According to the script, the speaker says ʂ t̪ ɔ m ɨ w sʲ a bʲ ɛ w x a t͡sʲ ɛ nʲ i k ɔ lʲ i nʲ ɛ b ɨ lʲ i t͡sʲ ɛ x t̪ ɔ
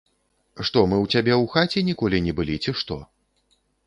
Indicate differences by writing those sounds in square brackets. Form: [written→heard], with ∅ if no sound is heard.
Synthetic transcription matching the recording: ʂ t̪ ɔ m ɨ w [sʲ→t͡sʲ] a bʲ ɛ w x a t͡sʲ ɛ nʲ i k ɔ lʲ i nʲ ɛ b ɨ lʲ i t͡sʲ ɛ [x→ʂ] t̪ ɔ